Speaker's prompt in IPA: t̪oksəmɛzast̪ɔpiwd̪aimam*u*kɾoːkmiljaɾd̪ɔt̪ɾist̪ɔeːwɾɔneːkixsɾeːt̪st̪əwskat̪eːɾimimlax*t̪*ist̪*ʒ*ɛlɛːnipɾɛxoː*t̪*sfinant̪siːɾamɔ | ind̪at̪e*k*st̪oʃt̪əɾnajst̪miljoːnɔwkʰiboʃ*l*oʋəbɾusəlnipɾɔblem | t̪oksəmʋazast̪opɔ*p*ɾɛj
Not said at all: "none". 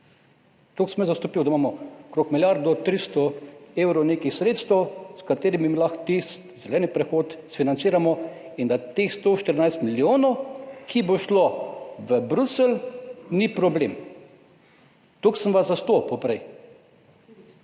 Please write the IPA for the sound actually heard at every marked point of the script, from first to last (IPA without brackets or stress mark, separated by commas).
ɔ, t̪, z, t̪, x, l, p